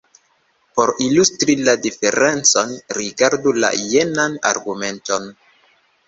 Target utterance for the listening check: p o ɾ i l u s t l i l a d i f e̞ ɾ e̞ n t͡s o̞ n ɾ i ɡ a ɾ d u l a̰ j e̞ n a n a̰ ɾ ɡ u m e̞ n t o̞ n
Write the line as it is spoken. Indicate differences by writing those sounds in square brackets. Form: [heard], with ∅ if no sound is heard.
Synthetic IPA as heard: p o ɾ i l u s t [ɾ] i l a d i f e̞ ɾ e̞ n t͡s o̞ n ɾ i ɡ a ɾ d u l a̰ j e̞ n a n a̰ ɾ ɡ u m e̞ n t o̞ n